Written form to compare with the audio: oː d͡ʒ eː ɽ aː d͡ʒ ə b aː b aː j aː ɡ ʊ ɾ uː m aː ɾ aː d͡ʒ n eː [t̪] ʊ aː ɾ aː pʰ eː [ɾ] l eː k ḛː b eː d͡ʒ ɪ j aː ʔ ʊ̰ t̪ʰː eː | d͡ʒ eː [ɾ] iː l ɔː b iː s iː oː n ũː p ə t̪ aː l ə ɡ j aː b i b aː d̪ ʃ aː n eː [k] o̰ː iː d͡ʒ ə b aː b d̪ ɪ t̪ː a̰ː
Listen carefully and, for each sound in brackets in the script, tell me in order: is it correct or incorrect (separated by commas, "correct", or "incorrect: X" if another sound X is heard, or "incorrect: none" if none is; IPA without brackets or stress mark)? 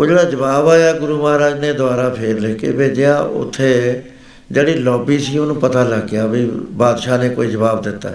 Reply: incorrect: d̪, correct, incorrect: ɽ, correct